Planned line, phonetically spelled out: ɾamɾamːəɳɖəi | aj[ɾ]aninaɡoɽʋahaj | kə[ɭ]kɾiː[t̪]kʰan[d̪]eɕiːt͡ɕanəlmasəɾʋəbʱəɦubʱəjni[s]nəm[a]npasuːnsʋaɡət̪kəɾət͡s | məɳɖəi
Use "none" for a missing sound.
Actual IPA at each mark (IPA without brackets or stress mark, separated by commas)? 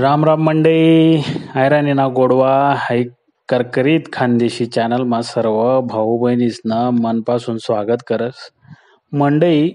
ɾ, ɾ, t̪, d̪, s, ə